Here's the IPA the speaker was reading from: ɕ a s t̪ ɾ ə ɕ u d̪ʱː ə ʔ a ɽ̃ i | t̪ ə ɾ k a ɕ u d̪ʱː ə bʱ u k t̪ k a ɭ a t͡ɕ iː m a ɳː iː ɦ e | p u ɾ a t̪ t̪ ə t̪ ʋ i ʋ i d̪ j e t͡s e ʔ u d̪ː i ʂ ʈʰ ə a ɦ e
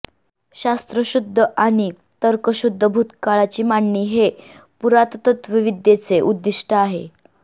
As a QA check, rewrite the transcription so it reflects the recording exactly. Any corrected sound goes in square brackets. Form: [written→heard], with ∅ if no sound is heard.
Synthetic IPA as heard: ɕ a s t̪ ɾ ə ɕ u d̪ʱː ə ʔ a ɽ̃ i | t̪ ə ɾ k [a→ə] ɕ u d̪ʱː ə bʱ u [k→∅] t̪ k a ɭ a t͡ɕ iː m a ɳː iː ɦ e | p u ɾ a t̪ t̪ ə t̪ ʋ i ʋ i d̪ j e t͡s e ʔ u d̪ː i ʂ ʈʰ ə a ɦ e